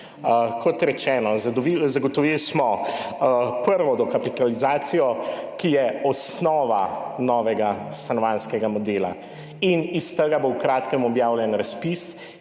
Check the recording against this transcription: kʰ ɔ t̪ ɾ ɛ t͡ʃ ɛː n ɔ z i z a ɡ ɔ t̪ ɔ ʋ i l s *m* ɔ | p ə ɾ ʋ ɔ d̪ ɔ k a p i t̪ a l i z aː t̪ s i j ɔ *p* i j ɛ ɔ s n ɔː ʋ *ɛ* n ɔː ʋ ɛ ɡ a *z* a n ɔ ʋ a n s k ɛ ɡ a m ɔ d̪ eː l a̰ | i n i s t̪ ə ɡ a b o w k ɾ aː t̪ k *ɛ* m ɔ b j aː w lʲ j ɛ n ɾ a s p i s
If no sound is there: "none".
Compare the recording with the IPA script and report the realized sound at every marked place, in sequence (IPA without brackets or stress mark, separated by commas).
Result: m, k, a, s, ɛ